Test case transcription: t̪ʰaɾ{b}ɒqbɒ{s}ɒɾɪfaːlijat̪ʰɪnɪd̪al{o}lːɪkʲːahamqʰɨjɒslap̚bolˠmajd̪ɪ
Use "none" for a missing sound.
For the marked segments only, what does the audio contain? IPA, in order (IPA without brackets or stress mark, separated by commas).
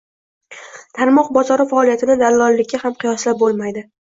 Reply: m, z, ɒ